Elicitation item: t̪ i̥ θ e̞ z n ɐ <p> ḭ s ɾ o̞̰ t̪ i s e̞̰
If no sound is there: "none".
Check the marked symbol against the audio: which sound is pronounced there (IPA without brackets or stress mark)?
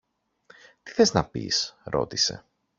p